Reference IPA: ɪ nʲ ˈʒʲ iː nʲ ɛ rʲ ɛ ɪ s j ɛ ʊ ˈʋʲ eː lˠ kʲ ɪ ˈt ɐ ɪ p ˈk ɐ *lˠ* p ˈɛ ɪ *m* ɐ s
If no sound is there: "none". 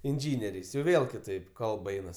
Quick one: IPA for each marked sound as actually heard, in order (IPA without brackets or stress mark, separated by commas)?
lˠ, n